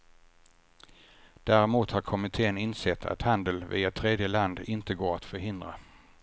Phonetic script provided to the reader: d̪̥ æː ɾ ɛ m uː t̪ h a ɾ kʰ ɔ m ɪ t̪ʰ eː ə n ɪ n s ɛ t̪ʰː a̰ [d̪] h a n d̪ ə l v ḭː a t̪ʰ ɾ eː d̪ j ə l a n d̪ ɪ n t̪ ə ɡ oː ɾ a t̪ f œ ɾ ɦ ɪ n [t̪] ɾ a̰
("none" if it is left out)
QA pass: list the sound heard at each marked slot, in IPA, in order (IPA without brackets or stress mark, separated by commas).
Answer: t̪, d̪